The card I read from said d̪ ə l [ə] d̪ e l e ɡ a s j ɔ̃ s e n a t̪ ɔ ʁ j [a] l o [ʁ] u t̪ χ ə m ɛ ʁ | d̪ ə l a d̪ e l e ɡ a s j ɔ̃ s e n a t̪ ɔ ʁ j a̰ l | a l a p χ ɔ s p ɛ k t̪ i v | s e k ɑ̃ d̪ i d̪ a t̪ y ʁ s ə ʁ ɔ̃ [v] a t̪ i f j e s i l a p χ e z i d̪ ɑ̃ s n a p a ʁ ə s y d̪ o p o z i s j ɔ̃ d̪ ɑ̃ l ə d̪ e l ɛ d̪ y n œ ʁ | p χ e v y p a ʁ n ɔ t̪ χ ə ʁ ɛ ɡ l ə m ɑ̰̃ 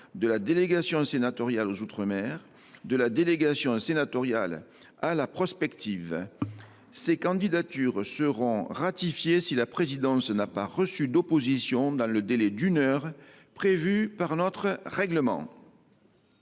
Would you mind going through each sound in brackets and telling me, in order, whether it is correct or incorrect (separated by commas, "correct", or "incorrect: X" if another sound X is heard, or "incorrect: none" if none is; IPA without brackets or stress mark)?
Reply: incorrect: a, correct, incorrect: z, incorrect: ʁ